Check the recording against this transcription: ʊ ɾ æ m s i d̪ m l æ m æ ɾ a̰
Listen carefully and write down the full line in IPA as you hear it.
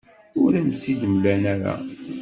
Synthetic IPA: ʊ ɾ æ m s i d̪ m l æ n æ ɾ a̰